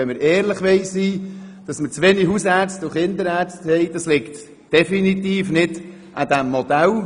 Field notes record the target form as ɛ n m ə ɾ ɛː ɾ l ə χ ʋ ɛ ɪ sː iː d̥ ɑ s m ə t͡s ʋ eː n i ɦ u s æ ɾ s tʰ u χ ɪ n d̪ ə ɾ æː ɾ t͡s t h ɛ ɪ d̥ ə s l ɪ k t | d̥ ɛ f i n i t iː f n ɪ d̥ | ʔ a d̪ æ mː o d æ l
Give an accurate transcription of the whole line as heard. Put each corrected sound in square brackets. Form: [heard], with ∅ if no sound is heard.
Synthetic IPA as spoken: ɛ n m ə ɾ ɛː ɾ l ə χ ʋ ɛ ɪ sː iː d̥ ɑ s m ə t͡s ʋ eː n i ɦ u s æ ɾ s [t] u χ ɪ n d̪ ə ɾ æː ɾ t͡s t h ɛ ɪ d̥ [ɑ] s l ɪ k t | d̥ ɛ f i n i t iː f n ɪ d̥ | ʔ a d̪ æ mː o d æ l